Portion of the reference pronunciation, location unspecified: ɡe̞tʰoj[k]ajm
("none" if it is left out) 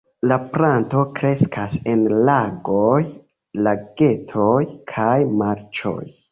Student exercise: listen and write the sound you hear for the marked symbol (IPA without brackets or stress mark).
kʰ